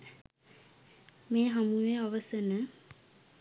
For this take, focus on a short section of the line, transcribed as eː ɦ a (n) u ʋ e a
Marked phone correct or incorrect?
incorrect